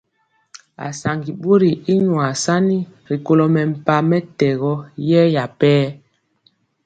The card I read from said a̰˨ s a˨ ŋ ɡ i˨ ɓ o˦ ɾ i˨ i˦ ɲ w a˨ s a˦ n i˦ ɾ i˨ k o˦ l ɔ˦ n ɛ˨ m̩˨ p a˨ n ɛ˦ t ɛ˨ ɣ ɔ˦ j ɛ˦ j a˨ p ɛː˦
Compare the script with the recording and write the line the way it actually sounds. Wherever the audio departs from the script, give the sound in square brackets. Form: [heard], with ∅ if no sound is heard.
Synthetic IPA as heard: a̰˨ s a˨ ŋ ɡ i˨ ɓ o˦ ɾ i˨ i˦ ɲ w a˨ s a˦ n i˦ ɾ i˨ k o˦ l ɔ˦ [m] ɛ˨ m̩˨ p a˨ [m] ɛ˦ t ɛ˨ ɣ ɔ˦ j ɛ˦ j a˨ p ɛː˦